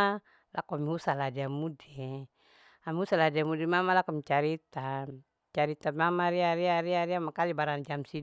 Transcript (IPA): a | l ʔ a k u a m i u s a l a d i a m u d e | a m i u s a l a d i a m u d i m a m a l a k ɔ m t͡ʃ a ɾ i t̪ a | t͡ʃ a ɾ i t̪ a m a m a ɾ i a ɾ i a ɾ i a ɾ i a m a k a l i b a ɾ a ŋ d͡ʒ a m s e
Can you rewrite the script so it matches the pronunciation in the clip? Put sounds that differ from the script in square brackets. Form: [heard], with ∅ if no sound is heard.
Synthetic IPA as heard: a | l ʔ a k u a m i u s a l a d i a m u d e | a m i u s a l a d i a m u d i m a m a l a k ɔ m t͡ʃ a ɾ i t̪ a | t͡ʃ a ɾ i t̪ a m a m a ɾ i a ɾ i a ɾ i a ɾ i a m a k a l i b a ɾ a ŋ d͡ʒ a m s [i]